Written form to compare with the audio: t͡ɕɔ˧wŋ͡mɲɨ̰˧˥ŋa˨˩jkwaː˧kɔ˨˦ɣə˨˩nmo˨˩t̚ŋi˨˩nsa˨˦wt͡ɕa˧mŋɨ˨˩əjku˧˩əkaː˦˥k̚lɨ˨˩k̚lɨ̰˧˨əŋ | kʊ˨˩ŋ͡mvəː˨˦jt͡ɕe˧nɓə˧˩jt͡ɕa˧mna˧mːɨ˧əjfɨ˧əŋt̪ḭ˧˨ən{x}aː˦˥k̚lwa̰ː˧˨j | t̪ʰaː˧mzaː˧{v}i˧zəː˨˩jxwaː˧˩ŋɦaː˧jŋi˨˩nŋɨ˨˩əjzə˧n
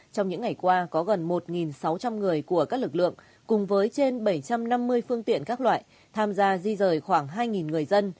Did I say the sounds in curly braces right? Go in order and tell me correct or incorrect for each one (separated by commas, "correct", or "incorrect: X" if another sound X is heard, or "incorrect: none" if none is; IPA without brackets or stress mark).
incorrect: k, incorrect: z